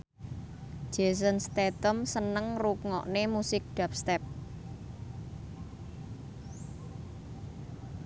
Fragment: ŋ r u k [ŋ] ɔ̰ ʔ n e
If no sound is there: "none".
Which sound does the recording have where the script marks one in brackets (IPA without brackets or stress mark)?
ŋ